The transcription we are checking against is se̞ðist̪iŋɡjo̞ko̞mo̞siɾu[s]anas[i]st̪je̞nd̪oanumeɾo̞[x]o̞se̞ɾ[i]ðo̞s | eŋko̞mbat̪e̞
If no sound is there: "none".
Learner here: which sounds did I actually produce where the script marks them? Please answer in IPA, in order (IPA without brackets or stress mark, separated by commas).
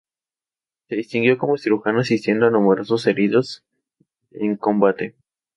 x, i, s, i